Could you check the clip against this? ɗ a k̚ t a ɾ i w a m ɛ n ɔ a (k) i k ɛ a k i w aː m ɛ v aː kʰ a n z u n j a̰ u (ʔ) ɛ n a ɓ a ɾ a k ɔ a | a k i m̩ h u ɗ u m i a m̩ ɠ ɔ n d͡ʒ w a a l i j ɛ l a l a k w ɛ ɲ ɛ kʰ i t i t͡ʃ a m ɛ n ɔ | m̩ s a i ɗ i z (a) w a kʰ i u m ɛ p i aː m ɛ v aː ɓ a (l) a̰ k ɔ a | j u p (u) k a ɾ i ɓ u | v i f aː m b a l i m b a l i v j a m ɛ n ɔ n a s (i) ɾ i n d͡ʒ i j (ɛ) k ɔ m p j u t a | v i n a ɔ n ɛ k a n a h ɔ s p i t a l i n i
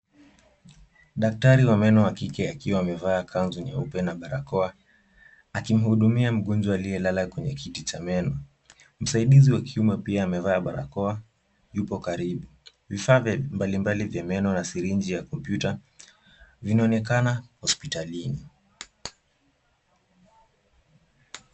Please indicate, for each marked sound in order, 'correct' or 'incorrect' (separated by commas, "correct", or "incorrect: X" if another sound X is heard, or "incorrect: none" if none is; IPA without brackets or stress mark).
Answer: correct, incorrect: p, incorrect: i, incorrect: ɾ, incorrect: ɔ, correct, incorrect: a